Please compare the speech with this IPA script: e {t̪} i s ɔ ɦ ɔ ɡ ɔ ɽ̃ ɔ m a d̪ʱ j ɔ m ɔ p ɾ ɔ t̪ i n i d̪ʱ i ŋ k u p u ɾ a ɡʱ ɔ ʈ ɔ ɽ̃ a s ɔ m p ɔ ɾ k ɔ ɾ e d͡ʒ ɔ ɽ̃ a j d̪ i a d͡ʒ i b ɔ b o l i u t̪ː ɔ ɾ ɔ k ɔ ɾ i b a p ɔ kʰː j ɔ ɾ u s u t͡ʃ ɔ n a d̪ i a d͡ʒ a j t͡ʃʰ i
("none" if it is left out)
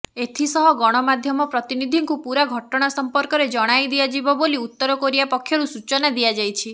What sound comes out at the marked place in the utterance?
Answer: t̪ʰ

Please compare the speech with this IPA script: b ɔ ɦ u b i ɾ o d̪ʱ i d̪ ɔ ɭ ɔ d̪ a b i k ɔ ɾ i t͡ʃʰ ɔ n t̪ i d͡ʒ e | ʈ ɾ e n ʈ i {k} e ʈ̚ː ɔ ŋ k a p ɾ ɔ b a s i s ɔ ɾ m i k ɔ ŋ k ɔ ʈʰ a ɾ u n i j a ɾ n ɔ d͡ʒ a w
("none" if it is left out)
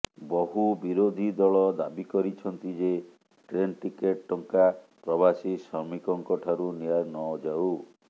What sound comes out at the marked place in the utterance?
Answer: k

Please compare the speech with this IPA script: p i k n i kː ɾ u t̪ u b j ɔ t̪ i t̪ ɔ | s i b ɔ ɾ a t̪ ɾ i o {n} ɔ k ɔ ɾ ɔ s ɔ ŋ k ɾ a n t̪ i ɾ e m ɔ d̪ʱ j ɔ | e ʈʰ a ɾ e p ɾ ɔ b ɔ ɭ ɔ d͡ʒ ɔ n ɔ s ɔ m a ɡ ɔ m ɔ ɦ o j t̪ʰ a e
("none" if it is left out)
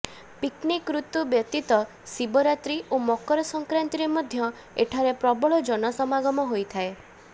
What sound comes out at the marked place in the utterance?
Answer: m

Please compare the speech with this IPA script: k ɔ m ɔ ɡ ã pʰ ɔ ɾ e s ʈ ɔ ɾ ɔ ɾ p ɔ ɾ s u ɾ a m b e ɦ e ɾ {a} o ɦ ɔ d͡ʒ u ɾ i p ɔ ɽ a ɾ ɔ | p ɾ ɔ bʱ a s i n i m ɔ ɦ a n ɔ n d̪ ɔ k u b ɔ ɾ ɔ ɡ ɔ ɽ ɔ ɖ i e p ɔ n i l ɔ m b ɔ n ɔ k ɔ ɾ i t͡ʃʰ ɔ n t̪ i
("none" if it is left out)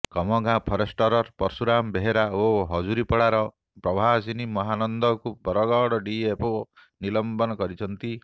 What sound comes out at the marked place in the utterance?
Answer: a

